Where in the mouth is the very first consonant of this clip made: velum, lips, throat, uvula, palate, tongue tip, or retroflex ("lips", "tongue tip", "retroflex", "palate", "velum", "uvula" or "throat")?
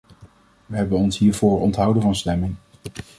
lips